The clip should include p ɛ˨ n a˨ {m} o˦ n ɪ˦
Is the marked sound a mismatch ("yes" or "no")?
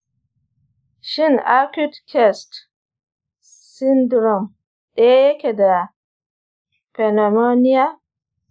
no